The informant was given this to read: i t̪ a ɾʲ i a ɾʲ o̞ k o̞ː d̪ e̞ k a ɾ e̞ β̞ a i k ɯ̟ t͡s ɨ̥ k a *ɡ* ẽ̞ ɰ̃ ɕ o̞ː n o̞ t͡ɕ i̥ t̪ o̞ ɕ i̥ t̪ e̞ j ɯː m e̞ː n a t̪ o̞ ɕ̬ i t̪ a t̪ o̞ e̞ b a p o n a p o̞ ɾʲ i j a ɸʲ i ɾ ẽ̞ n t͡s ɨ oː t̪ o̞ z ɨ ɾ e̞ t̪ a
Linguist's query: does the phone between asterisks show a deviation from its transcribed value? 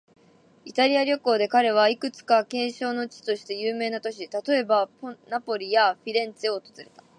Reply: yes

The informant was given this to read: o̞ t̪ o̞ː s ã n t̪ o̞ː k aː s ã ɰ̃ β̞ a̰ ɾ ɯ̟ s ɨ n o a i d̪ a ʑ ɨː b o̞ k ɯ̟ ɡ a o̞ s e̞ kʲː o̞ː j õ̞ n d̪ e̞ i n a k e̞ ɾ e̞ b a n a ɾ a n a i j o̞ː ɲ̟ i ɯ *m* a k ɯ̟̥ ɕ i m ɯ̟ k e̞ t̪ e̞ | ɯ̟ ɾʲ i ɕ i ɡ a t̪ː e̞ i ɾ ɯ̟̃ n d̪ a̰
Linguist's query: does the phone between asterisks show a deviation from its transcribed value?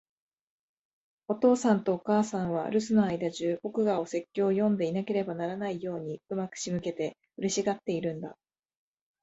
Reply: no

